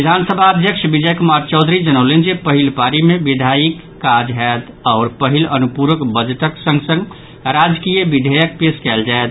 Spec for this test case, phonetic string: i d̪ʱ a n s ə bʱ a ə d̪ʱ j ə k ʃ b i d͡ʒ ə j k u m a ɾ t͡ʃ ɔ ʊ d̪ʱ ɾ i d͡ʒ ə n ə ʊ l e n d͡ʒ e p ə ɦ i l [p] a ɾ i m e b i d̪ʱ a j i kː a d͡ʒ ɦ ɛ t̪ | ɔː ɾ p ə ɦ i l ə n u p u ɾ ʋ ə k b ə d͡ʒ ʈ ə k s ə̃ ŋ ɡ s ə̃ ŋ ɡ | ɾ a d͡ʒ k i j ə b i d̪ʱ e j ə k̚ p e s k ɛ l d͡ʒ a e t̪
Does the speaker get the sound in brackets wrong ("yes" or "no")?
no